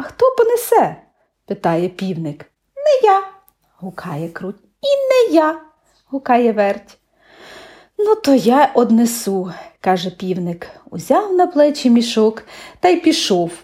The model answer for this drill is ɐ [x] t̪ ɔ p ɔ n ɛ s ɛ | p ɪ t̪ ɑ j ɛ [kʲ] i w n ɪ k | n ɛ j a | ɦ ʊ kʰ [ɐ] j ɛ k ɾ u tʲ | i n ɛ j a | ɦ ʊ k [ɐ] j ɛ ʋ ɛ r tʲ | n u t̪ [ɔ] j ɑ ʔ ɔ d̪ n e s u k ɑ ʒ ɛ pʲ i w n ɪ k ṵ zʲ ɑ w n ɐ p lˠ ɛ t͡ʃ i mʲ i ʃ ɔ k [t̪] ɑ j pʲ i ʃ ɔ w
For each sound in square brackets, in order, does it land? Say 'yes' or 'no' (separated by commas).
yes, no, no, no, yes, yes